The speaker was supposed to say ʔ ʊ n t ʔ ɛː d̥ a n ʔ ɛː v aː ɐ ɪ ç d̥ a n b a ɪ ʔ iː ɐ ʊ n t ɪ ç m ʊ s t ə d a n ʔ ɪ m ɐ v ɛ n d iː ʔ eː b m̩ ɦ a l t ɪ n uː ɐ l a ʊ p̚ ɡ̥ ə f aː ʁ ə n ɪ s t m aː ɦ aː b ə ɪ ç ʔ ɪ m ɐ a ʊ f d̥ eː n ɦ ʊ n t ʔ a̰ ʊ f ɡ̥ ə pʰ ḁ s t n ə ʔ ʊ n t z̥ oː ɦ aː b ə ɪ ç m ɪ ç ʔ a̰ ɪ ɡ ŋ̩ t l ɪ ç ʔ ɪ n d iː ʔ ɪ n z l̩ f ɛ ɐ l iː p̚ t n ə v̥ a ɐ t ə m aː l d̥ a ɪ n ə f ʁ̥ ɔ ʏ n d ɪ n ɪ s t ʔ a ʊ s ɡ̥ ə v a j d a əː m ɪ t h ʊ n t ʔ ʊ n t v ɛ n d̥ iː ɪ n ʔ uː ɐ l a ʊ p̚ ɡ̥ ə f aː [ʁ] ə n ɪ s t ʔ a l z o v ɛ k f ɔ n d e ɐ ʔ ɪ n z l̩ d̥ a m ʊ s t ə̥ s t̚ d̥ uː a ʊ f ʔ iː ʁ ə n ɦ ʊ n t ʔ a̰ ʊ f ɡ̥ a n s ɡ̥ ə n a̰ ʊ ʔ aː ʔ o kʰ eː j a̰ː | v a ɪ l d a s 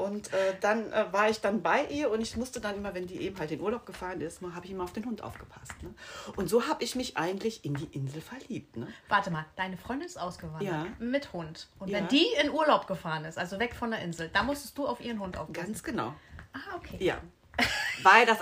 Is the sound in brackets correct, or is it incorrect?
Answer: correct